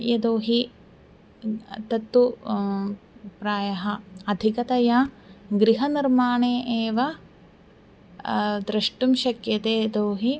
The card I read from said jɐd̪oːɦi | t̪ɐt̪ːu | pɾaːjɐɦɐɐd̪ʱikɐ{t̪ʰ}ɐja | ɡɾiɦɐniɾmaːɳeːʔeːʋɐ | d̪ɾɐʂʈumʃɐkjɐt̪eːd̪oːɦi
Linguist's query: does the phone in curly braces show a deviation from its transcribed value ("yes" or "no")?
yes